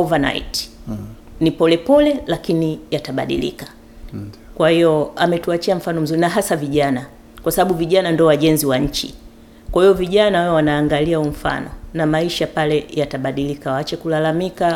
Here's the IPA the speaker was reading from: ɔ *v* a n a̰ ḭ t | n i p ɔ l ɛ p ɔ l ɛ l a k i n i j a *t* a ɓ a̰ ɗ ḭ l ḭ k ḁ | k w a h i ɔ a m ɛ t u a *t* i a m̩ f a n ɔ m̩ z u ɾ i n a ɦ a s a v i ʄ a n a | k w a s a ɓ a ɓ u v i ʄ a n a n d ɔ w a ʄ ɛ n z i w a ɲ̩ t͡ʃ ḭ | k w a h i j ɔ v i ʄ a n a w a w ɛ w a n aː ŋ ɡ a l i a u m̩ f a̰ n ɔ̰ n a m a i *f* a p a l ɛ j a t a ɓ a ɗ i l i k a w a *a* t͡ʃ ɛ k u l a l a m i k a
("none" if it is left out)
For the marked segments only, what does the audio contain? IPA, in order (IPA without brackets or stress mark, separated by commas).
v, t, t͡ʃ, ʃ, a